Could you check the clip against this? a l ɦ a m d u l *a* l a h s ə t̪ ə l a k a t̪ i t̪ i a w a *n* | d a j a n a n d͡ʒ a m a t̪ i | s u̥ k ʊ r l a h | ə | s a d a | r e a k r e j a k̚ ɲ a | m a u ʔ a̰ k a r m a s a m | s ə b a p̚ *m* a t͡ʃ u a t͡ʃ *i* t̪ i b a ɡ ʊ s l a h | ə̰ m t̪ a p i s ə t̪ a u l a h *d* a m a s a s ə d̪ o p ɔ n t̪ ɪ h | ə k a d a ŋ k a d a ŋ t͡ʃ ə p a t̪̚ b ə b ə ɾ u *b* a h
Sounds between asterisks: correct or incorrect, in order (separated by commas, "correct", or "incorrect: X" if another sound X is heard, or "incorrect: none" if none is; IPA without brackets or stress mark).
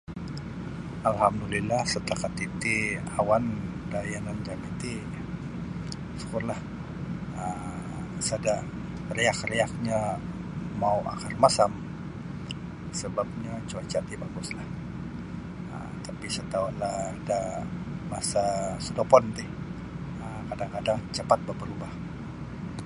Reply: incorrect: i, correct, incorrect: ɲ, incorrect: a, correct, correct